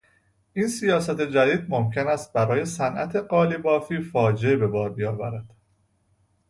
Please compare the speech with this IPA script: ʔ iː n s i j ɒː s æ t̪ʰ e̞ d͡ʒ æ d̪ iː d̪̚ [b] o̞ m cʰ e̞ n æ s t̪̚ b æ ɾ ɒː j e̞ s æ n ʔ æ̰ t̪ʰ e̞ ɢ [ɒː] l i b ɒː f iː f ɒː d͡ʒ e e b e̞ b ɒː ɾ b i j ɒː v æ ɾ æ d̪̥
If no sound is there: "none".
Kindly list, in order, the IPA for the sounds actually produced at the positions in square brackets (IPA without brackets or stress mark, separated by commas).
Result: m, ɒː